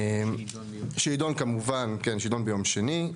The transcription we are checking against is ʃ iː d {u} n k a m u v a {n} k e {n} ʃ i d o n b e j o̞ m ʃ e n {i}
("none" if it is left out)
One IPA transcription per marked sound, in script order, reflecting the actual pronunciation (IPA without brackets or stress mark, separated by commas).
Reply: o, n, n, i